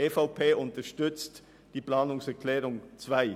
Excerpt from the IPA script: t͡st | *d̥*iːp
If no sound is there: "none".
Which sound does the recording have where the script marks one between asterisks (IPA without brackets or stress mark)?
d̥